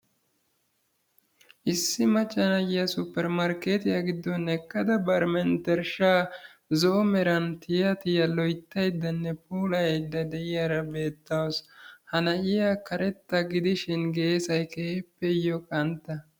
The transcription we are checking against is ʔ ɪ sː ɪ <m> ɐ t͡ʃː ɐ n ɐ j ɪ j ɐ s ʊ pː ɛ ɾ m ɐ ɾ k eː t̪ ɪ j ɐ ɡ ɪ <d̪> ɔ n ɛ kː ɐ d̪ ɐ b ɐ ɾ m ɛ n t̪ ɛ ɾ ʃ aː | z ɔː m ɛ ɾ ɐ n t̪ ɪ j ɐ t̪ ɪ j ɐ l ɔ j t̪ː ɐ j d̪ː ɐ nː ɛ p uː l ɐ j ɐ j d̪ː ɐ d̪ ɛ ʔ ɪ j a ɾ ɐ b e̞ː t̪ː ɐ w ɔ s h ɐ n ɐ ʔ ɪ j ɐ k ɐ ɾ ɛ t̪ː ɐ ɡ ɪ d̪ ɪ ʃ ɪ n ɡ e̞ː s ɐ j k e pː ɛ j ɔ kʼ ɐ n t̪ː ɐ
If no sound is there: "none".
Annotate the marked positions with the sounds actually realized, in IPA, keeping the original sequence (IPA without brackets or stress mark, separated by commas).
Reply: m, d̪ː